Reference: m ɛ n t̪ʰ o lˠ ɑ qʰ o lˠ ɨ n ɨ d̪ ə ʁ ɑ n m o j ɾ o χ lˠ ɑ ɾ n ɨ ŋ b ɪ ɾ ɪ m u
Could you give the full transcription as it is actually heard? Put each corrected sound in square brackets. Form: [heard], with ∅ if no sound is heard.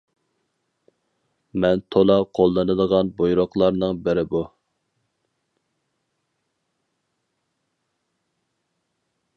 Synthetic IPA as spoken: m ɛ n t̪ʰ o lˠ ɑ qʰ o [lˠː] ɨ n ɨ d̪ ə ʁ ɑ n [b] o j ɾ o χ lˠ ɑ ɾ n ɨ ŋ b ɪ ɾ ɪ [b] u